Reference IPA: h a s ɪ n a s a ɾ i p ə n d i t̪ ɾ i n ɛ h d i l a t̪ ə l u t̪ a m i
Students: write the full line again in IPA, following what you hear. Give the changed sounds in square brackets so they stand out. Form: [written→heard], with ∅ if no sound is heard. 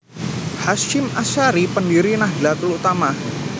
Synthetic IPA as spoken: h a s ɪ [n→m] a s a ɾ i p ə n d i [t̪→∅] ɾ i n [ɛ→a] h d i l a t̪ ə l u t̪ a m [i→a]